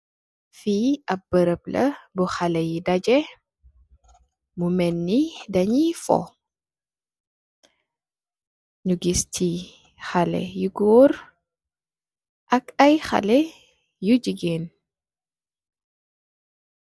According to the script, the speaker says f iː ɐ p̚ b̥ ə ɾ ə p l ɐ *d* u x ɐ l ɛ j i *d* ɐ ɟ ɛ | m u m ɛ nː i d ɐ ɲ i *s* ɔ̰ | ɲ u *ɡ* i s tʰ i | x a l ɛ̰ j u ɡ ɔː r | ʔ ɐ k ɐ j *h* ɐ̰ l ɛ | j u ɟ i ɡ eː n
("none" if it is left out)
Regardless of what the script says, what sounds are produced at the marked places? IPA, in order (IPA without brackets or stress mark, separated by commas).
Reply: b, d, f, ɡ, x